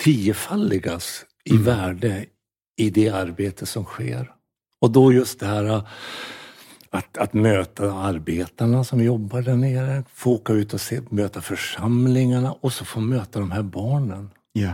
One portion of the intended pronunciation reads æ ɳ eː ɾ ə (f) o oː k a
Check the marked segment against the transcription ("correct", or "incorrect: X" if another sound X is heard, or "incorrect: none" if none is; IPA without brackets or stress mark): correct